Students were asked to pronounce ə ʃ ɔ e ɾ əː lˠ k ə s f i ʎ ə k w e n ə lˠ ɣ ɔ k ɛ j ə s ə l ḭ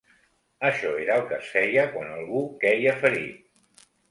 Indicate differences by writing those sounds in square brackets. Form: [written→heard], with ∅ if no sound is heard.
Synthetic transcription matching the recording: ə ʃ ɔ e ɾ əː lˠ k ə s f [i→ɛ] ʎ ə k w [e→a] n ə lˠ ɣ [ɔ→u] k ɛ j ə [s→f] ə [l→ɾ] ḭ